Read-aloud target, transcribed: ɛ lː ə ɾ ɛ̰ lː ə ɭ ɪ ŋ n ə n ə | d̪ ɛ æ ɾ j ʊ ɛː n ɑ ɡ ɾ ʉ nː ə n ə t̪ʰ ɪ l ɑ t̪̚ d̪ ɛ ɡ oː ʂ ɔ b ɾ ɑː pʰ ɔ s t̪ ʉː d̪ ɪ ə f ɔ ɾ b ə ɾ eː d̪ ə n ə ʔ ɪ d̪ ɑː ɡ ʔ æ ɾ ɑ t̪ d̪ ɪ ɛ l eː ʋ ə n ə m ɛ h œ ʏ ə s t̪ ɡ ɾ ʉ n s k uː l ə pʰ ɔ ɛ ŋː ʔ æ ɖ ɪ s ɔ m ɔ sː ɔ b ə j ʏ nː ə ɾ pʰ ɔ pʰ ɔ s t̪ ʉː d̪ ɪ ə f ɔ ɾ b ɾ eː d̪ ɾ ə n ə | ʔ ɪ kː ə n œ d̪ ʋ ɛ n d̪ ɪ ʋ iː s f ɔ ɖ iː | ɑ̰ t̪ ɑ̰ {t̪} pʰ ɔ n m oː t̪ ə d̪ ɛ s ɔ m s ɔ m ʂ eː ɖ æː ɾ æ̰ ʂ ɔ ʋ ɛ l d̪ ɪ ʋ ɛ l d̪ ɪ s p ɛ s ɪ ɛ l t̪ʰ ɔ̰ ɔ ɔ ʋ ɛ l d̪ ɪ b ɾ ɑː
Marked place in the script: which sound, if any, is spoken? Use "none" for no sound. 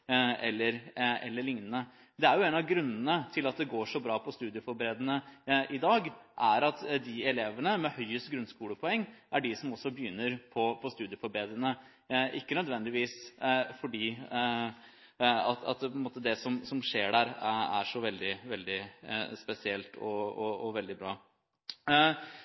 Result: t̪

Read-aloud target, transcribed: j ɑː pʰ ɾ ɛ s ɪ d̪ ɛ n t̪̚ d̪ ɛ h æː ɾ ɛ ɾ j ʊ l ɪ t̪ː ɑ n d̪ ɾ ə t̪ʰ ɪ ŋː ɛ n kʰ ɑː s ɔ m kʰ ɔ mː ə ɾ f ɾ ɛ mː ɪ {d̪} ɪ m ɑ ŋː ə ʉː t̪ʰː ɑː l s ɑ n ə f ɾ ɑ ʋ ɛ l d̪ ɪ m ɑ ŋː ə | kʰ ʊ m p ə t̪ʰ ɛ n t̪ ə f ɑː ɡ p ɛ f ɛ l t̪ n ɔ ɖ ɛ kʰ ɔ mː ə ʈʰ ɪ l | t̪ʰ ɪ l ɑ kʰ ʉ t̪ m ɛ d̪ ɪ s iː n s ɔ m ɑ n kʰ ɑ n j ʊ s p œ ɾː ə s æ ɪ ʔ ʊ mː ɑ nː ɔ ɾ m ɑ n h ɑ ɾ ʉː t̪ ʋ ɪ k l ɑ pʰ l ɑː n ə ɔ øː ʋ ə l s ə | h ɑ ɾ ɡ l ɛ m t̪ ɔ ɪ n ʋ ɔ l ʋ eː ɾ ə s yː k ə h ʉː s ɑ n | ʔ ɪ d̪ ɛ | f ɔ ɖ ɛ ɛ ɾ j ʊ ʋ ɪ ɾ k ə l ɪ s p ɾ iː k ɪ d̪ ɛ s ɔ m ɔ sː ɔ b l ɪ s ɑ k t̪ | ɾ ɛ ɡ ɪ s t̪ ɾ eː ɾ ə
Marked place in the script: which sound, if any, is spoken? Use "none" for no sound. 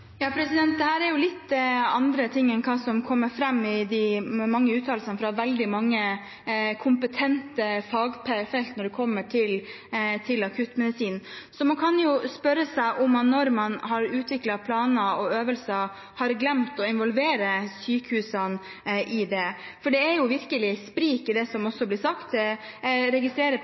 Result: d̪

